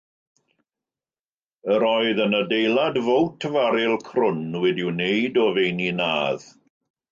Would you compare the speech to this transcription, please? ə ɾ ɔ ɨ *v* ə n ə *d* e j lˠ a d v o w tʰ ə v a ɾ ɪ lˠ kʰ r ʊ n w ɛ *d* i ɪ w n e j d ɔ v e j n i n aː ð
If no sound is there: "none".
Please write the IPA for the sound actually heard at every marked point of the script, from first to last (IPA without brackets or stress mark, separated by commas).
ð, d, d